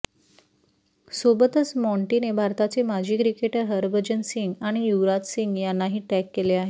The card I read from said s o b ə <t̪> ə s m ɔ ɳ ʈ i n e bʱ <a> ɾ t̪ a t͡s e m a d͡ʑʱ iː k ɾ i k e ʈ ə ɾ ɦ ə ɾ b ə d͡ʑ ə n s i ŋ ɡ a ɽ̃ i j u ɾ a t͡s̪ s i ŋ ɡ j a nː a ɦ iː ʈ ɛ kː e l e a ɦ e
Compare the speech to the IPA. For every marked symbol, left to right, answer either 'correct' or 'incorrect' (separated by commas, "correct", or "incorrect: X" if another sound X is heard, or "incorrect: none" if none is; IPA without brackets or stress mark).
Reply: correct, correct